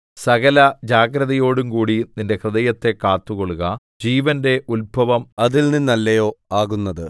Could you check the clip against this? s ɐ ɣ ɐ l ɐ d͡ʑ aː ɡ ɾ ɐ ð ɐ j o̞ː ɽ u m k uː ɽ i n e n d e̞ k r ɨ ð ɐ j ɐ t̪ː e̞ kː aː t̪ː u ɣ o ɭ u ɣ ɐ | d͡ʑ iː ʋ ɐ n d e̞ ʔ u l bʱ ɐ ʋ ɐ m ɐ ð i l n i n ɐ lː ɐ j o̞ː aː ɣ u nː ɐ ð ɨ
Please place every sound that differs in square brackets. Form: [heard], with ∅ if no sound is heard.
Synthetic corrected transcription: s ɐ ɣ ɐ l ɐ d͡ʑ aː ɡ ɾ ɐ ð ɐ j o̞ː ɽ u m k uː ɽ i n [i] n d e̞ k r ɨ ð ɐ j ɐ t̪ː e̞ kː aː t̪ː u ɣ o ɭ u ɣ ɐ | d͡ʑ iː ʋ ɐ n d e̞ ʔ u l bʱ ɐ ʋ ɐ m ɐ ð i l n i [nː] ɐ lː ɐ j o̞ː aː ɣ u nː ɐ ð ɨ

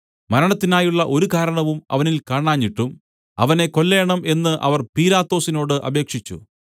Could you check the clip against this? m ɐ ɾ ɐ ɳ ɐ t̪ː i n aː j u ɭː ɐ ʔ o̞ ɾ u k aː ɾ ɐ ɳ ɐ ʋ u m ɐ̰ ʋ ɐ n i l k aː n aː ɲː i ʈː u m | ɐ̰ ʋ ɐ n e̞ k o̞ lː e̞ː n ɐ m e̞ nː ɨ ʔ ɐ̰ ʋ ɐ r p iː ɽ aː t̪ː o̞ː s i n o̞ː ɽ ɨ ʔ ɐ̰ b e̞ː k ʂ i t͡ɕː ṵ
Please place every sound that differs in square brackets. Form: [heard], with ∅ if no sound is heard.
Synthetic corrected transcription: m ɐ ɾ ɐ ɳ ɐ t̪ː i n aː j u ɭː ɐ ʔ o̞ ɾ u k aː ɾ ɐ ɳ ɐ ʋ u m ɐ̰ ʋ ɐ n i l k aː [ɳ] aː ɲː i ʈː u m | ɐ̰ ʋ ɐ n e̞ k o̞ lː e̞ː [ɳ] ɐ m e̞ nː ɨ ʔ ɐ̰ ʋ ɐ r p iː [l] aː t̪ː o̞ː s i n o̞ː ɽ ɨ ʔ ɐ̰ b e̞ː k ʂ i t͡ɕː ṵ

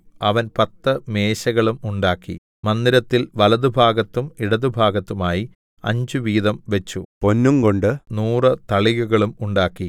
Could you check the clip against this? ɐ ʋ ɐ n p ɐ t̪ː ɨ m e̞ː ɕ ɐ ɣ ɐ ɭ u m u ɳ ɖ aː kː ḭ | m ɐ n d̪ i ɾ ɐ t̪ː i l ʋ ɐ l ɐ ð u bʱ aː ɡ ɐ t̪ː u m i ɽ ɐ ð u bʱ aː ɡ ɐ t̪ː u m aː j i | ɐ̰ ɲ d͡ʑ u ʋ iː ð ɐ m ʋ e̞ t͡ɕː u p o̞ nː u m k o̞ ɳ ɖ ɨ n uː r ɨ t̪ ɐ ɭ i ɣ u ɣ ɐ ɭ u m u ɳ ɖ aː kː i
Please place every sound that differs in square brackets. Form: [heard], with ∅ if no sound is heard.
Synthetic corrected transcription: ɐ ʋ ɐ n p ɐ t̪ː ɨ m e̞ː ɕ ɐ ɣ ɐ ɭ u m u ɳ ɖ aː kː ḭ | m ɐ n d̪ i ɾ ɐ t̪ː i l ʋ ɐ l ɐ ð u bʱ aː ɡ ɐ t̪ː u m i ɽ ɐ ð u bʱ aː ɡ ɐ t̪ː u m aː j i | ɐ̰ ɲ d͡ʑ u ʋ iː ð ɐ m ʋ e̞ t͡ɕː u p o̞ nː u m k o̞ ɳ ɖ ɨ n uː r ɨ t̪ ɐ ɭ i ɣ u ɣ ɐ ɭ u m u ɳ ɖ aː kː i

